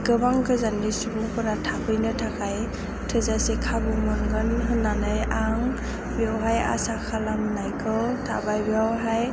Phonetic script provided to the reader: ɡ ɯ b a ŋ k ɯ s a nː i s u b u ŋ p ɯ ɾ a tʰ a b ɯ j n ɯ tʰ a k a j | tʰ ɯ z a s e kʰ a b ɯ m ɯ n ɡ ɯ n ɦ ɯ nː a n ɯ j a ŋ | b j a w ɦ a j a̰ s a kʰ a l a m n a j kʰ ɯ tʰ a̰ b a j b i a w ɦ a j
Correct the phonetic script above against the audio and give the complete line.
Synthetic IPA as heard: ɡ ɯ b a ŋ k ɯ z a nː i s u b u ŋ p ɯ ɾ a tʰ a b ɯ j n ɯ tʰ a k a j | tʰ ɯ z a s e kʰ a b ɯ m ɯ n ɡ ɯ n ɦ ɯ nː a n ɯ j a ŋ | b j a w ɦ a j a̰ s a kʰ a l a m n a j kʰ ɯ tʰ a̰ b a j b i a w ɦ a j